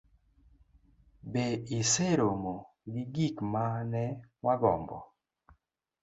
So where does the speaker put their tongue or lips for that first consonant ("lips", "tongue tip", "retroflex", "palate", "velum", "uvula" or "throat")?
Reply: lips